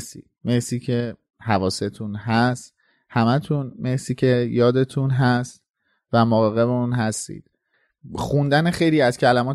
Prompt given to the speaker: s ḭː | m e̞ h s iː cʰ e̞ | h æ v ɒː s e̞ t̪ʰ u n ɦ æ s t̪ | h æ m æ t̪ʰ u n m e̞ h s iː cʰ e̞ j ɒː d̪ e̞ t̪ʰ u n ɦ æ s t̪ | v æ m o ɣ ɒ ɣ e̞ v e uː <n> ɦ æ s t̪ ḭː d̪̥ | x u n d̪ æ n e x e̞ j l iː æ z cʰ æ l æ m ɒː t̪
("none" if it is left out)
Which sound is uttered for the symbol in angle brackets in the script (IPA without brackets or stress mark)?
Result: n